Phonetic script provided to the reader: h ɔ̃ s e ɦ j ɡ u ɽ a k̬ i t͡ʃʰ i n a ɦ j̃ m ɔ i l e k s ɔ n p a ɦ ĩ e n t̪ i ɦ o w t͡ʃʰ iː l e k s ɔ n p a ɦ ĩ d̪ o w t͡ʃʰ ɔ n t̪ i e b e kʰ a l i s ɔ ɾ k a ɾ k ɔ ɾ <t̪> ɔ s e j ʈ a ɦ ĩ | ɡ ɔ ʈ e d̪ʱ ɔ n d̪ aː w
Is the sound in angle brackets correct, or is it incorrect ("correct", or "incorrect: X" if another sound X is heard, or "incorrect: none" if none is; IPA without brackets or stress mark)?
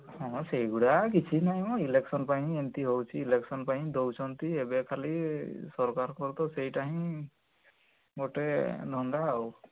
correct